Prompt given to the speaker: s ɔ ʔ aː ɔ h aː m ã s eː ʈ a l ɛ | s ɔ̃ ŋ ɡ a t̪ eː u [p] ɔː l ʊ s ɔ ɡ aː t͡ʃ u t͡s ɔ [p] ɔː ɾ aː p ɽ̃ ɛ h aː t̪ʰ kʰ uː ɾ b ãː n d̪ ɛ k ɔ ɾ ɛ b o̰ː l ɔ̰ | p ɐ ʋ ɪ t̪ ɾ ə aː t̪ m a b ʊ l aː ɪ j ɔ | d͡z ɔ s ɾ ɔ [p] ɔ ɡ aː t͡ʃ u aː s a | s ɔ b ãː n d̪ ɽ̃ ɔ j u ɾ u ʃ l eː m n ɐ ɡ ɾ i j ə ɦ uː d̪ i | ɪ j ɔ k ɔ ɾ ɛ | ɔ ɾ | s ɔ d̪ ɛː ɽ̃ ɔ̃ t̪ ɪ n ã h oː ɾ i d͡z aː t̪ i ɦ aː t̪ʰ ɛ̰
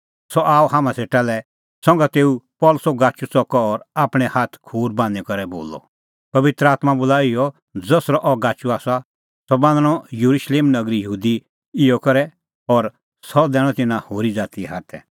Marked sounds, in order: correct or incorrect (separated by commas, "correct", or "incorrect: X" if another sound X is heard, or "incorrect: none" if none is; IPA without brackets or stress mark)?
correct, incorrect: k, incorrect: ʔ